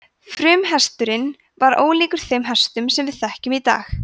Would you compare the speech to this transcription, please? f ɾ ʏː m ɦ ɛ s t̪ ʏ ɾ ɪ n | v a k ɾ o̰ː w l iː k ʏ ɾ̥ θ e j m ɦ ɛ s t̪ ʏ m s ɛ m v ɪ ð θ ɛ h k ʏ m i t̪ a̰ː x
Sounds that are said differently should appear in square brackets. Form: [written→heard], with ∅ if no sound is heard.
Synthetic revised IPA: f ɾ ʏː m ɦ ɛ s t̪ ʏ ɾ ɪ n | v a [k→∅] ɾ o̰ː w l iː k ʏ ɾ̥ θ e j m ɦ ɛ s t̪ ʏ m s ɛ m v ɪ ð θ ɛ h [k→c] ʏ m i t̪ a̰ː x